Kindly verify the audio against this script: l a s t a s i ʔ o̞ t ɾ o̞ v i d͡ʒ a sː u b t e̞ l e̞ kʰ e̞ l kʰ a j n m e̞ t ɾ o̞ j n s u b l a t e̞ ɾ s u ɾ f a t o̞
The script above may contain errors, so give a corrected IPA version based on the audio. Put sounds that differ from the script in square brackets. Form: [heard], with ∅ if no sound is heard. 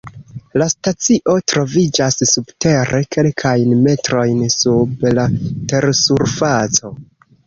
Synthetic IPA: l a s t a [t͡s] i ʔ o̞ t ɾ o̞ v i d͡ʒ a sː u b t e̞ [ɾ] e̞ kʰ e̞ l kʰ a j n m e̞ t ɾ o̞ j n s u b l a t e̞ ɾ s u ɾ f a [t͡s] o̞